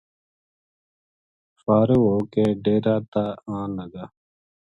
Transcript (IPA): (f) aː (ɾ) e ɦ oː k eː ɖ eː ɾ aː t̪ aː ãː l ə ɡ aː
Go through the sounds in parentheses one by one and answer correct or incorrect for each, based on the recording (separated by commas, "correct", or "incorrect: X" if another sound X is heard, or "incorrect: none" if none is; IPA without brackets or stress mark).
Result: correct, correct